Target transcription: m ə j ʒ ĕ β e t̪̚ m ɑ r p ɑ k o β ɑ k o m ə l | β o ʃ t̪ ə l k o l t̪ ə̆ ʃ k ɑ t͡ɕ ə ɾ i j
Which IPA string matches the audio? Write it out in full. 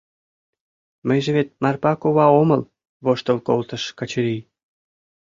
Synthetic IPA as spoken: m ə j ʒ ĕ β e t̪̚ m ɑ r p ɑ k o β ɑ o m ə l | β o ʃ t̪ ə l k o l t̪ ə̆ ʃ k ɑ t͡ɕ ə ɾ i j